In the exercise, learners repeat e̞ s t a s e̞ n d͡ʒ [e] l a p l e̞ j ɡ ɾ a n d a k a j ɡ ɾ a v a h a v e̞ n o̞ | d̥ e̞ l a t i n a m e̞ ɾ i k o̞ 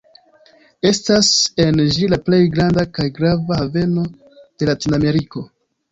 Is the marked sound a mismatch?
yes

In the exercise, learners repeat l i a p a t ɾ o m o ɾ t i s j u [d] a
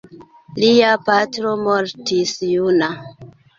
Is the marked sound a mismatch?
yes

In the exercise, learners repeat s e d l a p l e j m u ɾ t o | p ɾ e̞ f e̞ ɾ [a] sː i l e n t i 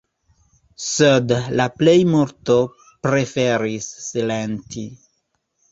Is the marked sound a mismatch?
yes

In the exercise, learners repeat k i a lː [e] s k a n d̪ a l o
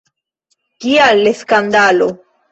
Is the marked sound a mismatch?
no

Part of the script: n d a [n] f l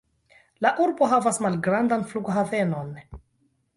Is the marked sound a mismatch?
no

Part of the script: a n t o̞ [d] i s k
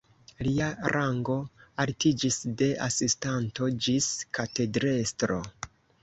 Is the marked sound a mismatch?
yes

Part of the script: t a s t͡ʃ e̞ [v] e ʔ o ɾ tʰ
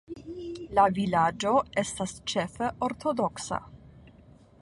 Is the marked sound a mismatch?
yes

